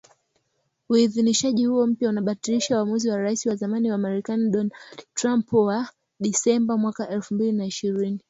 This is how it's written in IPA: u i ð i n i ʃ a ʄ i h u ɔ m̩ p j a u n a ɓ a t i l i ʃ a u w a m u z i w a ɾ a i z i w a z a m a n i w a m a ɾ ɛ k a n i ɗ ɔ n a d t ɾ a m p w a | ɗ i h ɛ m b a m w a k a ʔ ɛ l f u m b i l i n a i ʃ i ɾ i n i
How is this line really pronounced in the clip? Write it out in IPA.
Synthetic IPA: u i ð i n i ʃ a ʄ i h u ɔ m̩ p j a u n a ɓ a t i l i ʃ a u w a m u z i w a ɾ a i s i w a z a m a n i w a m a ɾ ɛ k a n i ɗ ɔ n a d t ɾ a m p w a | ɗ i s ɛ m b a m w a k a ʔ ɛ l f u m b i l i n a i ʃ i ɾ i n i